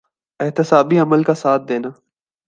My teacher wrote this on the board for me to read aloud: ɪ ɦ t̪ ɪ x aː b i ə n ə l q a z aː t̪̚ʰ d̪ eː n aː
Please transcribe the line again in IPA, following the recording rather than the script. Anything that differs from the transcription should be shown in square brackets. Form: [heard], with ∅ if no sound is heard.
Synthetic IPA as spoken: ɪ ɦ t̪ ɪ [s] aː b i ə [m] ə l [k] a [s] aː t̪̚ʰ d̪ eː n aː